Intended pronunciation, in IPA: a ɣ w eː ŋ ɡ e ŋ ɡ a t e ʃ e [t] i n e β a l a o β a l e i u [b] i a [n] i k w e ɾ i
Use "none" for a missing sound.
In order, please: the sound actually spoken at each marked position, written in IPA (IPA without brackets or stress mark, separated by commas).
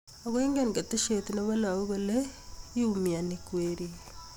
t, m, n